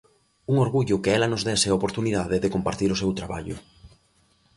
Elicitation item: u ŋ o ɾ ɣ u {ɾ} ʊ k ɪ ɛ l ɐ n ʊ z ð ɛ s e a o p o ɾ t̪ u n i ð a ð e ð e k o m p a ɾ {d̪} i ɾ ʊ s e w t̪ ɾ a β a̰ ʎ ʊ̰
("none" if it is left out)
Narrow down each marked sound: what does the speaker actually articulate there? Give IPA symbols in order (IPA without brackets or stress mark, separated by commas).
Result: ʎ, t̪